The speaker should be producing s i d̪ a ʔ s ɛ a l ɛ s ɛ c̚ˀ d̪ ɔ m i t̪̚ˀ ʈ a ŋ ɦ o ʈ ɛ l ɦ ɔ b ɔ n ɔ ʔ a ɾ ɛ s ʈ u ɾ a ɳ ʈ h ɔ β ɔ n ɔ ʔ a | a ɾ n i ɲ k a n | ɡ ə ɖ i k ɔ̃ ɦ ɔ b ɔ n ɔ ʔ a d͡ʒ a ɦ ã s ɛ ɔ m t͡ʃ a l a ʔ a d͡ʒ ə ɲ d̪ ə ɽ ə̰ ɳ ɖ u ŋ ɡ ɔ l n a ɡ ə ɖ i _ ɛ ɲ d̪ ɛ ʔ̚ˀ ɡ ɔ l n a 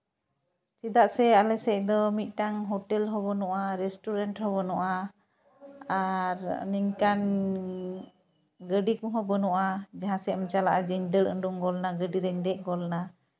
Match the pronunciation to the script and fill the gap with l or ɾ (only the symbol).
ɾ